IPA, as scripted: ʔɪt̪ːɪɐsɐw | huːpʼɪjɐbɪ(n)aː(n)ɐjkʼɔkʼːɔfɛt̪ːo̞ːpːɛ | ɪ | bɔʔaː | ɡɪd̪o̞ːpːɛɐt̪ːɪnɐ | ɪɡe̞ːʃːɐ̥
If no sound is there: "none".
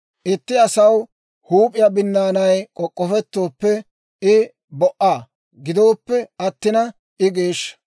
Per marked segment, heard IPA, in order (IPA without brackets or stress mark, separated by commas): nː, n